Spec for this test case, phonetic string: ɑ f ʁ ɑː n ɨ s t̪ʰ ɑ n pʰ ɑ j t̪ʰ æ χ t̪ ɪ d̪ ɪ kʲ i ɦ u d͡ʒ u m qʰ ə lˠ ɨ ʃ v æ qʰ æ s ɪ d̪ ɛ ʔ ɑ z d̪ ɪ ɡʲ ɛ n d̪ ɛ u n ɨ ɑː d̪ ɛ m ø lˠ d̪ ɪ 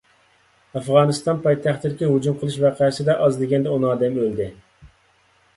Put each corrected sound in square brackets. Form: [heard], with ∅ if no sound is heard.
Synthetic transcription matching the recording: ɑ f ʁ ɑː n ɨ s [t̪] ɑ n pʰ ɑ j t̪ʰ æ χ t̪ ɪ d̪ ɪ kʲ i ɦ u d͡ʒ u m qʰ ə lˠ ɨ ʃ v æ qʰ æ s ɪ d̪ ɛ ʔ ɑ z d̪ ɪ ɡʲ ɛ n d̪ ɛ u n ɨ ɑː d̪ ɛ m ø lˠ d̪ ɪ